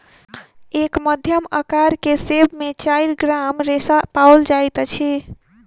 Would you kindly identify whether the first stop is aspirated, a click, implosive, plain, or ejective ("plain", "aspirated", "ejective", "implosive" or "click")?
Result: plain